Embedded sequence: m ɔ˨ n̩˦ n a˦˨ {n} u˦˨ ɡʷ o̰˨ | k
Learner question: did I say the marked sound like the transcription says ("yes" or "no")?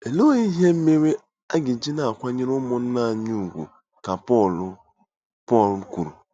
no